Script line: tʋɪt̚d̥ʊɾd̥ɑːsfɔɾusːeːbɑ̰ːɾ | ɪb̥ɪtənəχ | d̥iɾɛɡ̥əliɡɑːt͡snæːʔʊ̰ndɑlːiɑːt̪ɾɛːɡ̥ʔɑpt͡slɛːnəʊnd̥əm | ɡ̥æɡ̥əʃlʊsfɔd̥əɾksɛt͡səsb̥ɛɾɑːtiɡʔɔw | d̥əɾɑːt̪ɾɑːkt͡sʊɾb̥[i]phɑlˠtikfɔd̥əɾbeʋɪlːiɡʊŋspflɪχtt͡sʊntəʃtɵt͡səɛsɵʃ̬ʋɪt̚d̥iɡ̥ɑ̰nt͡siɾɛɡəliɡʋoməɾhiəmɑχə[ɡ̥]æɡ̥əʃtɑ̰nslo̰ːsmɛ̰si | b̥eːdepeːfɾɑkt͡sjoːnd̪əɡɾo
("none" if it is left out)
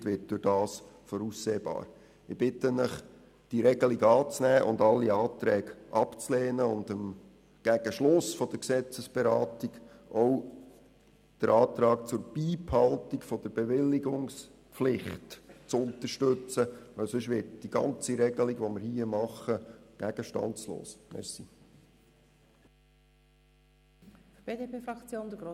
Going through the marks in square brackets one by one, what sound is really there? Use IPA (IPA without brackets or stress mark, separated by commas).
iː, ɡ̥